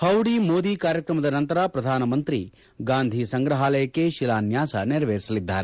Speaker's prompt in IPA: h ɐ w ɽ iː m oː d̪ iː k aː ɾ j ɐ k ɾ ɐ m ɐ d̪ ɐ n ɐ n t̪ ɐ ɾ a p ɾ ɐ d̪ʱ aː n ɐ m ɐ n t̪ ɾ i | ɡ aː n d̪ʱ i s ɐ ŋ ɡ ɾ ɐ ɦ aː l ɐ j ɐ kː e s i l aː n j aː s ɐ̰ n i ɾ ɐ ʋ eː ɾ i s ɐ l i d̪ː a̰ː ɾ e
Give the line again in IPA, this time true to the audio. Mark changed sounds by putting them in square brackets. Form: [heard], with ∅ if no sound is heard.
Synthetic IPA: h ɐ w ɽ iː m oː d̪ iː k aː ɾ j ɐ k ɾ ɐ m ɐ d̪ ɐ n ɐ n t̪ ɐ ɾ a p ɾ ɐ d̪ʱ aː n ɐ m ɐ n t̪ ɾ i | ɡ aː n d̪ʱ i s ɐ ŋ ɡ ɾ ɐ ɦ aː l ɐ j ɐ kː e [ʃ] i l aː n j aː s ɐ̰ n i ɾ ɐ ʋ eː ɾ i s ɐ l i d̪ː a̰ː ɾ e